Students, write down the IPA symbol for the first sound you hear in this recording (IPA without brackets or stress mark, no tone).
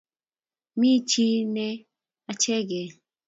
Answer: m